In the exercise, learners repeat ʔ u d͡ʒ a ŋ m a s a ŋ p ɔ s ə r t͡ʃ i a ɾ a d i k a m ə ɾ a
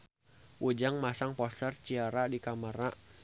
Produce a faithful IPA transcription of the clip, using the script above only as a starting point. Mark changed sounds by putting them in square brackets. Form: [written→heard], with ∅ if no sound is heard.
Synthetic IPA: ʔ u d͡ʒ a ŋ m a s a ŋ p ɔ s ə r t͡ʃ i a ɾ a d i k a m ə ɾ a